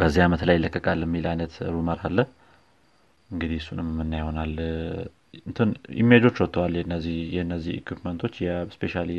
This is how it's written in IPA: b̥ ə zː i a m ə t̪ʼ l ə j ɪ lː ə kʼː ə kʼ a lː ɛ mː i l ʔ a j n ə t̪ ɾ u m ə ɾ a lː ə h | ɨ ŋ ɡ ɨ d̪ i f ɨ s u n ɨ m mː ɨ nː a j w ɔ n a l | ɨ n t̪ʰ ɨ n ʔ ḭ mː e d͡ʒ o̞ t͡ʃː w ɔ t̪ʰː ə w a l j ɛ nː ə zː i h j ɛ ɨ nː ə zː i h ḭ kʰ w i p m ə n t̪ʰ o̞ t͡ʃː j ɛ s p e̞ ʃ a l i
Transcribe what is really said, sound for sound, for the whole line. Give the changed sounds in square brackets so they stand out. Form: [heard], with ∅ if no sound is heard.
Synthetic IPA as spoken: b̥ ə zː i a m ə [t̪] l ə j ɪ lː ə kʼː ə kʼ a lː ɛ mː i l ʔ a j n ə t̪ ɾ u m ə ɾ a lː ə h | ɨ ŋ ɡ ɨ d̪ i [h] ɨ s u n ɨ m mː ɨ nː a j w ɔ n a l | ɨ n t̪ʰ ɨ n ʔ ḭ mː e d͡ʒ o̞ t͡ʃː w ɔ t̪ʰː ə w a l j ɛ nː ə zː i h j ɛ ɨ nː ə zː i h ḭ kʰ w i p m ə n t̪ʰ o̞ t͡ʃː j ɛ s p e̞ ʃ a l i